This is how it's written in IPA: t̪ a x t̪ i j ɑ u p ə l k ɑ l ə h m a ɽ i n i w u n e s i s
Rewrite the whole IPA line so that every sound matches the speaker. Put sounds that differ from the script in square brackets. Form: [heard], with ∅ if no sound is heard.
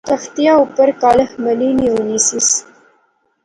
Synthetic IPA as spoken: t̪ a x t̪ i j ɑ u p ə [ɾ] k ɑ l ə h m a [l] i n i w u n [i] s i s